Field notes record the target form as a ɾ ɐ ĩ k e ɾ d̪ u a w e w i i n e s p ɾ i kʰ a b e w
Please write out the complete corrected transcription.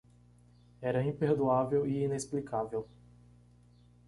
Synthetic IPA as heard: ɛ ɾ ɐ ĩ p e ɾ d̪ u a v e w i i n e s p l i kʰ a v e w